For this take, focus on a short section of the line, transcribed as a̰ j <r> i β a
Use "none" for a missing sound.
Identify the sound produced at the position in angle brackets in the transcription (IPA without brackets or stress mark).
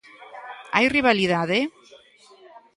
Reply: r